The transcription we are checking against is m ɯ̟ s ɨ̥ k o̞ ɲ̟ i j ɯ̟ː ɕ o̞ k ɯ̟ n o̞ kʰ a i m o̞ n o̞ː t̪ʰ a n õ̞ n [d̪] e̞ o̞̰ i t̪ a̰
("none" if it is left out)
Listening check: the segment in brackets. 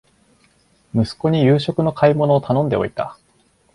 d̪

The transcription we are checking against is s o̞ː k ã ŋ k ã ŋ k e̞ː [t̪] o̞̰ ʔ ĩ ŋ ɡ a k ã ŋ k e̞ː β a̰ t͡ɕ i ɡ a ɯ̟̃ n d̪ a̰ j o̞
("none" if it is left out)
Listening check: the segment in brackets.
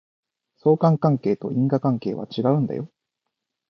t̪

